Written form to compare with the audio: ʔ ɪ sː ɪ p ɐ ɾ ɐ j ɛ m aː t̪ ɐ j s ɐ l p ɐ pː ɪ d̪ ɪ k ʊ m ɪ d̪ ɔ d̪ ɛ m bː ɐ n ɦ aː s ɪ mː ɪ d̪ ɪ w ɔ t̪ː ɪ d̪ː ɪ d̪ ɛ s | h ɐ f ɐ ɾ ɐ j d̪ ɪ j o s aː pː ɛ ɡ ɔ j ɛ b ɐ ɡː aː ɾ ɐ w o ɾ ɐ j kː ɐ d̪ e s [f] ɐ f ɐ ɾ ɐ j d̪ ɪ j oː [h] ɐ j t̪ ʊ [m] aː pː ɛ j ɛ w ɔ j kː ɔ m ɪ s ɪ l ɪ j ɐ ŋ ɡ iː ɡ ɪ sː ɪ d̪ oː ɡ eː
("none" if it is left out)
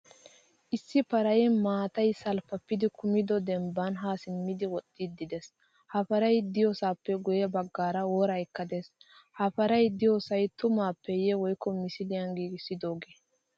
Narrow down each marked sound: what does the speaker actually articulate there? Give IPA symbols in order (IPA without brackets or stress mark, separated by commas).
h, s, m